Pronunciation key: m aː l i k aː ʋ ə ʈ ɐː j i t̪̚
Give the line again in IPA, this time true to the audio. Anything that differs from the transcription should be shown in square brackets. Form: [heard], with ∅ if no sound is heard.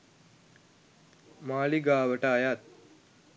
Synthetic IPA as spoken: m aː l i [ɡ] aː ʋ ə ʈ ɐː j [a] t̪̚